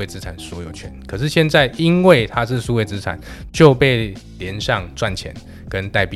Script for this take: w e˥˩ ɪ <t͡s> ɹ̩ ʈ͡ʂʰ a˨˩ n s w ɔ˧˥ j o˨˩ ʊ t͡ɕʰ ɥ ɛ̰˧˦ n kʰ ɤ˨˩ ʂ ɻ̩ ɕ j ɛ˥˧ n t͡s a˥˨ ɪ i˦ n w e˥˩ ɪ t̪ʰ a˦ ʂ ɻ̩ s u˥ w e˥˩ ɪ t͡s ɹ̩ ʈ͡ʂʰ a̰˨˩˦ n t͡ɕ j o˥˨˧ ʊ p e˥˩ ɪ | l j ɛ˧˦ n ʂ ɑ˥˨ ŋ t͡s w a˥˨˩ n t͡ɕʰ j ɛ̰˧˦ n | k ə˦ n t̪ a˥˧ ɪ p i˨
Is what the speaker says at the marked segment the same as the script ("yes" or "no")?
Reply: yes